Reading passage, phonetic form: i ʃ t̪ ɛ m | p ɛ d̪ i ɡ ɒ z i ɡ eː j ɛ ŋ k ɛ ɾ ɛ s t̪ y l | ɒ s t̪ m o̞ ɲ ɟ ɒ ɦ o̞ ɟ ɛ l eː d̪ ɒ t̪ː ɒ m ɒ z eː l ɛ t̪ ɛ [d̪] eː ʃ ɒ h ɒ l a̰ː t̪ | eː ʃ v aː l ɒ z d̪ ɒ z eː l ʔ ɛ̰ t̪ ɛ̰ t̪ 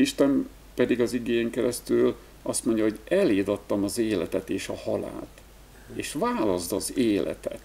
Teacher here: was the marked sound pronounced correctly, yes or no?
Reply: no